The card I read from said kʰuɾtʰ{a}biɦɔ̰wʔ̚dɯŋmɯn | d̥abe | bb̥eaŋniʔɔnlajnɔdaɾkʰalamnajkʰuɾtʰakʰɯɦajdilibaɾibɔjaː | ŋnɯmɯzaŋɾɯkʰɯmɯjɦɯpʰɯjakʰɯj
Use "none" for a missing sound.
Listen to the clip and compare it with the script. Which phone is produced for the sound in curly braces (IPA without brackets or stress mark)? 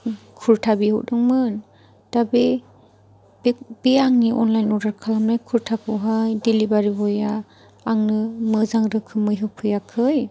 a